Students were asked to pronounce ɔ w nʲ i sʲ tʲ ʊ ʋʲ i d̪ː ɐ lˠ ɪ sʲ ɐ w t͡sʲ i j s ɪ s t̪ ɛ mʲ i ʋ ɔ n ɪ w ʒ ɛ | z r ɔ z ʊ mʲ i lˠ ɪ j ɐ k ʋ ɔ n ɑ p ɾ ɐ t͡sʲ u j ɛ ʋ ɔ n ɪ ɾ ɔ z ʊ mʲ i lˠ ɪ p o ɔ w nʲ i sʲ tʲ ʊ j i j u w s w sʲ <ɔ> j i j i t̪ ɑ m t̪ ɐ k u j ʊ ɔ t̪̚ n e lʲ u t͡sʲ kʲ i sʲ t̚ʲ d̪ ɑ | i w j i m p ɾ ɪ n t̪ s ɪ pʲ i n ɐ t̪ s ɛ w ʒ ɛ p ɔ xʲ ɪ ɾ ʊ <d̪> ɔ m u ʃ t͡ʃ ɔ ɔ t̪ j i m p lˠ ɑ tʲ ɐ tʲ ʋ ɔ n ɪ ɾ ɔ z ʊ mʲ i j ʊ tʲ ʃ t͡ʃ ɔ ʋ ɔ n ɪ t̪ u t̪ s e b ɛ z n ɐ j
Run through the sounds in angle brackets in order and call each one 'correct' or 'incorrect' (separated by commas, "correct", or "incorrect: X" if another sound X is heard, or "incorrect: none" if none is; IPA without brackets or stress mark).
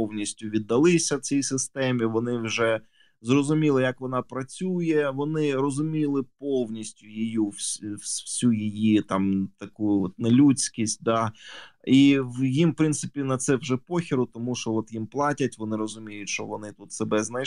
incorrect: u, incorrect: t̪